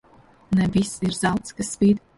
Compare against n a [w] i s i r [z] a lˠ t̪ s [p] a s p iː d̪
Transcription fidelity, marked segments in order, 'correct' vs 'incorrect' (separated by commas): incorrect, correct, incorrect